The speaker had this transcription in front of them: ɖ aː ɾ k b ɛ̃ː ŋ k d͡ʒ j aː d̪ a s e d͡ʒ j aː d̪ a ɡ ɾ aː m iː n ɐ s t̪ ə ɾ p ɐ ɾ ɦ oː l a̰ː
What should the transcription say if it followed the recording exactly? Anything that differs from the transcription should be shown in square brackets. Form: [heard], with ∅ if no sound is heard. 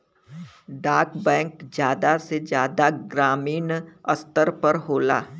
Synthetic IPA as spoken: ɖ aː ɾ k b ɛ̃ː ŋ k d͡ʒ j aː d̪ a s e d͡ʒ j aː d̪ a ɡ ɾ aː m iː n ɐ s t̪ ə ɾ p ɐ ɾ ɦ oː l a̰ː